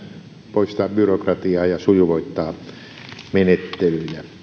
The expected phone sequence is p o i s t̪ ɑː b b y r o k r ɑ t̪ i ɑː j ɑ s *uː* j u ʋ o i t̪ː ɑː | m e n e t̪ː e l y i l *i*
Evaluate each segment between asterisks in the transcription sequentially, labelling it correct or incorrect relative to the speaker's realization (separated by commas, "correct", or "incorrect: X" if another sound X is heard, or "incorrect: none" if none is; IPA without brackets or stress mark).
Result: incorrect: u, incorrect: æ